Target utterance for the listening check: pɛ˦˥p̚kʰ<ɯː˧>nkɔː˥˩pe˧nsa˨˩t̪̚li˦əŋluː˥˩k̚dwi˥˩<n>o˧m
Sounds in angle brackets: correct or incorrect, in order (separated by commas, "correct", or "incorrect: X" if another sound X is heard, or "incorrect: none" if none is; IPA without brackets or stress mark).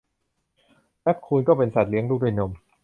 incorrect: uː˧, correct